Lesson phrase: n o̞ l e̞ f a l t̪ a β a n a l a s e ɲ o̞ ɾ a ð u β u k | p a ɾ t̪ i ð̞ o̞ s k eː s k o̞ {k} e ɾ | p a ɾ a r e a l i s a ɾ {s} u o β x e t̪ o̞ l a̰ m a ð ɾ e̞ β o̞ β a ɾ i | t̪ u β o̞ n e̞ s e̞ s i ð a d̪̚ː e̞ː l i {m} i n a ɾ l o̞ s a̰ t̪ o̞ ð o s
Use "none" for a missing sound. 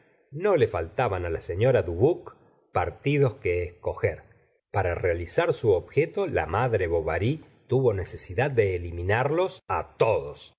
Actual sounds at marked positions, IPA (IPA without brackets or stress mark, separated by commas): x, s, m